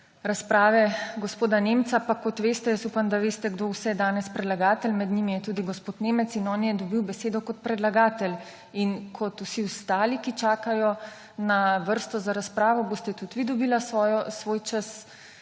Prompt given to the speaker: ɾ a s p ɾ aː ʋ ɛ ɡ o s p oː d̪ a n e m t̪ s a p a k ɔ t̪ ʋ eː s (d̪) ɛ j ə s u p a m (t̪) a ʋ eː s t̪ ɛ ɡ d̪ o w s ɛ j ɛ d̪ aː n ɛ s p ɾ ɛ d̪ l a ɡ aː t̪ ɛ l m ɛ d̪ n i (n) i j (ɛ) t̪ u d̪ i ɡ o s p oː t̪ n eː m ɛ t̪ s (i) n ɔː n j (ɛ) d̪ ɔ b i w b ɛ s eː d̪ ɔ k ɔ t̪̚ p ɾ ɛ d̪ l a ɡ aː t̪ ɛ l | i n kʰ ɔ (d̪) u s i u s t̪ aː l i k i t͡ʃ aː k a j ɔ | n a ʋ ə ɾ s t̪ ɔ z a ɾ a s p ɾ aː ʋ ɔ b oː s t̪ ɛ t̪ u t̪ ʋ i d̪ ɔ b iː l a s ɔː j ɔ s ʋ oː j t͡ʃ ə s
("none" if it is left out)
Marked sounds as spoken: t̪, d̪, m, ɛ, i, ɛ, t̪

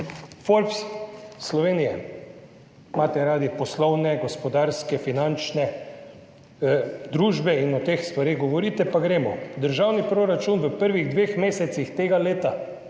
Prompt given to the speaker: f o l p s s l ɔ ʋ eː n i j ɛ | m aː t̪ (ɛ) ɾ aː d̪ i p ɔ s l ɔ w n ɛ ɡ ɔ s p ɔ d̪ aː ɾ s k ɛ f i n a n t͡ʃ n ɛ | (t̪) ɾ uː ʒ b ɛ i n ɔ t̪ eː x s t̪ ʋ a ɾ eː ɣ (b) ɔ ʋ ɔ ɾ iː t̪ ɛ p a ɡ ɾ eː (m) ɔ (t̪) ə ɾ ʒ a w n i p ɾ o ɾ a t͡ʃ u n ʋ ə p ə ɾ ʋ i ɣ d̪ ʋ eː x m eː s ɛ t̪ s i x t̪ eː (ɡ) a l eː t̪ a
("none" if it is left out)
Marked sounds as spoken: ɛ, d̪, ɡ, m, d̪, ɡ

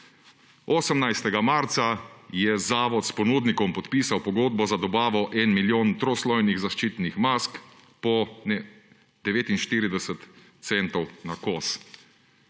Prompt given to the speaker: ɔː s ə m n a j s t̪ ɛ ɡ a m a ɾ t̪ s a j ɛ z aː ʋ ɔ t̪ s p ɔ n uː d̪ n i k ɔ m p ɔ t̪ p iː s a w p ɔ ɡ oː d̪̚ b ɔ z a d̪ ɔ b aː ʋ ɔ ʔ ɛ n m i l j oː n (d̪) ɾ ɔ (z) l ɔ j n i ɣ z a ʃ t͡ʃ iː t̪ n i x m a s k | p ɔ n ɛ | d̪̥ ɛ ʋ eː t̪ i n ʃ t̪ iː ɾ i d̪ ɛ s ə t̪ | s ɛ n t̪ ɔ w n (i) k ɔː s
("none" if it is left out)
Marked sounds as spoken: t̪, s, a

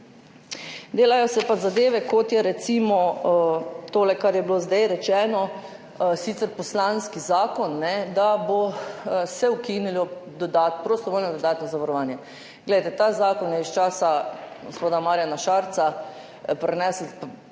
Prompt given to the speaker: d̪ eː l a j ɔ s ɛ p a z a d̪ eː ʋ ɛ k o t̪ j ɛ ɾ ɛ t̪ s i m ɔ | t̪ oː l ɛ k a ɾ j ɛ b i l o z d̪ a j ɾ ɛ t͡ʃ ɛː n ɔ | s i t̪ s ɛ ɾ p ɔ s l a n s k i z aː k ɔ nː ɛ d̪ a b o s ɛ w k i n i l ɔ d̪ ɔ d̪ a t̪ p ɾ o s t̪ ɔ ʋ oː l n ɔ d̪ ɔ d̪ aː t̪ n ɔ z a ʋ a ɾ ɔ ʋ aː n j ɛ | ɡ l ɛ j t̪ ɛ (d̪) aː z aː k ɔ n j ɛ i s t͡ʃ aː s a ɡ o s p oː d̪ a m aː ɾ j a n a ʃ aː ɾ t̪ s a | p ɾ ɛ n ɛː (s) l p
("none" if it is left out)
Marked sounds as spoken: t̪, s

